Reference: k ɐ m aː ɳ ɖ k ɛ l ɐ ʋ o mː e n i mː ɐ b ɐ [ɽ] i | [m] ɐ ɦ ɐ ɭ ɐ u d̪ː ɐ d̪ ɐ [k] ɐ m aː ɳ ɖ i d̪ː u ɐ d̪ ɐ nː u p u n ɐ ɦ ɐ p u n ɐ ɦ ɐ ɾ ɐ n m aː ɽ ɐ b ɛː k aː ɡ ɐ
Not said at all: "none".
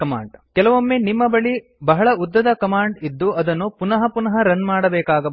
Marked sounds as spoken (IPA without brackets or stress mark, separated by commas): ɭ, b, k